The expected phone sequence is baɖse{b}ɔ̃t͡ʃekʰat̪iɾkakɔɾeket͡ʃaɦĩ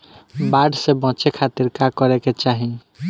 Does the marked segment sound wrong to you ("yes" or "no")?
no